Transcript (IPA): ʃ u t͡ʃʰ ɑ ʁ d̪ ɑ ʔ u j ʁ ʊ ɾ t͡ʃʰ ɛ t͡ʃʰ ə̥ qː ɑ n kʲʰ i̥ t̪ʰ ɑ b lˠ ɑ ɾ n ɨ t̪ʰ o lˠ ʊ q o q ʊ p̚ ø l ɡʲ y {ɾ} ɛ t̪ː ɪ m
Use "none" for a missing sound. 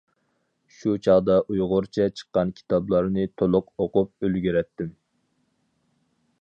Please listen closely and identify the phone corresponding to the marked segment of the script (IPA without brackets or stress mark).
ɾ